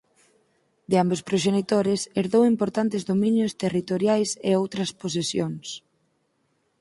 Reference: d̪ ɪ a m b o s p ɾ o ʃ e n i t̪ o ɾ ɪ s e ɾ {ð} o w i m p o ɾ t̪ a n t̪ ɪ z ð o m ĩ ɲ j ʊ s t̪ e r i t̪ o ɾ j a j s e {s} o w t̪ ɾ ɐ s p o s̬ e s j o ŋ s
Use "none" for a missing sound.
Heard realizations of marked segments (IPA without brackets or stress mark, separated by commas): ð, none